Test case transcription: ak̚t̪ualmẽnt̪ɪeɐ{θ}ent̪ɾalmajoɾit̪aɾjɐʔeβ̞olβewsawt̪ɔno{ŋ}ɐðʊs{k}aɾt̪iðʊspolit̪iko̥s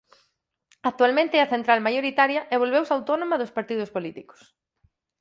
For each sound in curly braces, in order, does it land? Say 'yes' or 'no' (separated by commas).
yes, no, no